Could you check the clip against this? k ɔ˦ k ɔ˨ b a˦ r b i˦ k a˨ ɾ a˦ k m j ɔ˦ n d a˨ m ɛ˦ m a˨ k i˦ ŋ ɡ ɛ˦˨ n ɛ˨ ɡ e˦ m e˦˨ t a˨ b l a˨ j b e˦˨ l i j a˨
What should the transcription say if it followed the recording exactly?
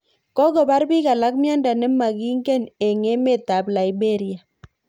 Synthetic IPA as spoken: k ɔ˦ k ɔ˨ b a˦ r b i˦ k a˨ l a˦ k m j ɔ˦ n d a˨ n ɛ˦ m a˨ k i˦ ŋ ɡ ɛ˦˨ n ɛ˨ ŋ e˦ m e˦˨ t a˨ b l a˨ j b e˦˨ ɾ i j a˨